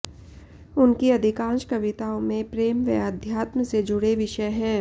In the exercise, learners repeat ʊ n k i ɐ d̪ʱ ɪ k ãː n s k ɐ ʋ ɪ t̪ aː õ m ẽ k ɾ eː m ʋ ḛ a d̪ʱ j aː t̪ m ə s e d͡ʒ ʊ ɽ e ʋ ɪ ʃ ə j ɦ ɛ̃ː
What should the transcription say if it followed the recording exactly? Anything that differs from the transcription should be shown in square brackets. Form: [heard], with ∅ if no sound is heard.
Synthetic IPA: ʊ n k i ɐ d̪ʱ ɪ k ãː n [ʃ] k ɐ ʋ ɪ t̪ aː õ m ẽ [p] ɾ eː m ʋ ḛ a d̪ʱ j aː t̪ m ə s e d͡ʒ ʊ ɽ e ʋ ɪ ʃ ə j ɦ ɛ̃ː